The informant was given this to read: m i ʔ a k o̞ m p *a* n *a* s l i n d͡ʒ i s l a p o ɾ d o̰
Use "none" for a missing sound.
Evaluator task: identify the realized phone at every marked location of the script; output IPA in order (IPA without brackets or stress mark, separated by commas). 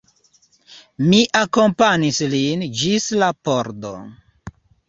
a, i